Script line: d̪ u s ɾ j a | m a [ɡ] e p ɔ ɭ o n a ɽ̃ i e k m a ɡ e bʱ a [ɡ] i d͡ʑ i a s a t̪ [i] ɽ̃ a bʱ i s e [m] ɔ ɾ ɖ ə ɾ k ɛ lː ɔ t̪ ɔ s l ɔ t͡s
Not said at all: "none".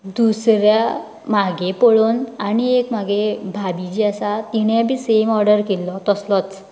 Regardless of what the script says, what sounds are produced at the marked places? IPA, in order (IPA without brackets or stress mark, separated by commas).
ɡ, b, i, m